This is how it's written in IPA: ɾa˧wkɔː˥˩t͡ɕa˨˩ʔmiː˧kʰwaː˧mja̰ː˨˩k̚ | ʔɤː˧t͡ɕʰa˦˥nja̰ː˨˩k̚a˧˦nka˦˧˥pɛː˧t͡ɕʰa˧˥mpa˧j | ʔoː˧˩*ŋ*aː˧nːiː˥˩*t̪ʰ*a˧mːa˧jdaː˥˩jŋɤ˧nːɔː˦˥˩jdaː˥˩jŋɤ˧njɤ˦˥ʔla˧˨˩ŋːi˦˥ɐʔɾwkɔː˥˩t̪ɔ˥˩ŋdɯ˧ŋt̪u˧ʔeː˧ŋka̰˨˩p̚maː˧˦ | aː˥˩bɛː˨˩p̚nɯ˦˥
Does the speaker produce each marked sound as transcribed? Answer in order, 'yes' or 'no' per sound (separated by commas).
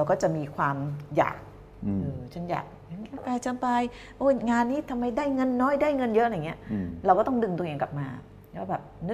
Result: yes, yes